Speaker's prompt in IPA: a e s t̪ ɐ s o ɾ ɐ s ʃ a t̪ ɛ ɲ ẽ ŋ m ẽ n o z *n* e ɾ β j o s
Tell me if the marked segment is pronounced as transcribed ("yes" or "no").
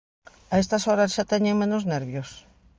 yes